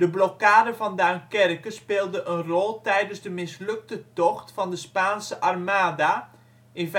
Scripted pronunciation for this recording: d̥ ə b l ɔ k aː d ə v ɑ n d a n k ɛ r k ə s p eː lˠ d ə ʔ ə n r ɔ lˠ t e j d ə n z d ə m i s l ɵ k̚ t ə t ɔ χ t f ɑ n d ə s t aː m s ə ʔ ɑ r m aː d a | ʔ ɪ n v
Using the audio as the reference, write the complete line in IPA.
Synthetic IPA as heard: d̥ ə b l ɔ k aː d ə v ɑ n d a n k ɛ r k ə s p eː lˠ d ə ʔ ə n r ɔ lˠ t ɛ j d ə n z d ə m ɪ s l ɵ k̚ t ə t ɔ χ t f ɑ n d ə s p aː n s ə ʔ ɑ r m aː d a | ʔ ɪ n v